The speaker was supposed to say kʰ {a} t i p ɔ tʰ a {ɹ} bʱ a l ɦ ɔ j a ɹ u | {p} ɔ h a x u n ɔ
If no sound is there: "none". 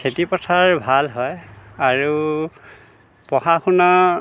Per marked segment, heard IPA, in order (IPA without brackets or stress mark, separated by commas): e, ɹ, p